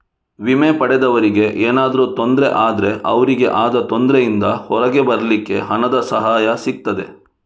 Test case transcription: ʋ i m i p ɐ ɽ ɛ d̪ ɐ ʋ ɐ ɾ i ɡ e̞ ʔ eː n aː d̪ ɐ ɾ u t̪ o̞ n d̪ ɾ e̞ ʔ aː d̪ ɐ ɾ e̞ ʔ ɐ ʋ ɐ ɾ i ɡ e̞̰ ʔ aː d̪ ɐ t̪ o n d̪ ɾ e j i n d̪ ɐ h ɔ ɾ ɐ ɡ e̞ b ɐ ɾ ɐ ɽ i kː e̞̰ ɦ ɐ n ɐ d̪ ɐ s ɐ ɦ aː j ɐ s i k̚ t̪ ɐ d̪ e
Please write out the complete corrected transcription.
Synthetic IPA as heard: ʋ i m e p ɐ ɽ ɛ d̪ ɐ ʋ ɐ ɾ i ɡ e̞ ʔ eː n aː d̪ ɐ ɾ u t̪ o̞ n d̪ ɾ e̞ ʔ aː d̪ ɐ ɾ e̞ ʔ ɐ ʋ ɐ ɾ i ɡ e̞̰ ʔ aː d̪ ɐ t̪ o n d̪ ɾ e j i n d̪ ɐ h ɔ ɾ ɐ ɡ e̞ b ɐ ɾ ɐ l i kː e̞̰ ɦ ɐ n ɐ d̪ ɐ s ɐ ɦ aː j ɐ s i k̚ t̪ ɐ d̪ e